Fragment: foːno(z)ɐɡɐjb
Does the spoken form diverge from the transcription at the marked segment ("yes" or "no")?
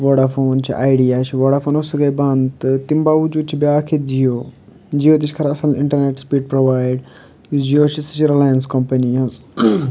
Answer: yes